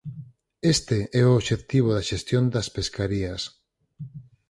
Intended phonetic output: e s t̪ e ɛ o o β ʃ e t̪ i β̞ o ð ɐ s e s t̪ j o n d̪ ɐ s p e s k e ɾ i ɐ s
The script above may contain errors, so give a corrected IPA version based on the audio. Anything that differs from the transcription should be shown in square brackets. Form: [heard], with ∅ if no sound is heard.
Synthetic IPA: e s t̪ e ɛ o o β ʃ e t̪ i β̞ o ð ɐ [ʃ] e s t̪ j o n d̪ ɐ s p e s k [a] ɾ i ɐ s